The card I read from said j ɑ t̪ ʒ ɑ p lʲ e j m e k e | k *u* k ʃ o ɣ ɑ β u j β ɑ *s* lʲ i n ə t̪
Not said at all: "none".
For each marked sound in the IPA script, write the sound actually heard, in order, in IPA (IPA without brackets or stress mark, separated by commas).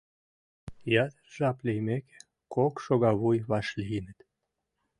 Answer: o, ʃ